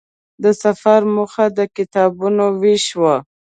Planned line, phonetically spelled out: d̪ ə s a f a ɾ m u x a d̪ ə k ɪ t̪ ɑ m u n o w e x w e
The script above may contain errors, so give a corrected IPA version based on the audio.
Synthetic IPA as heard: d̪ ə s a f a ɾ m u x a d̪ ə k ɪ t̪ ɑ b u n o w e ʃ w a